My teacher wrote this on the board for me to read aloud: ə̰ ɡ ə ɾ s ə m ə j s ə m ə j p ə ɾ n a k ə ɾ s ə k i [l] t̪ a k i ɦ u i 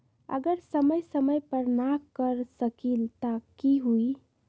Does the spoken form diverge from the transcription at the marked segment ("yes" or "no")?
no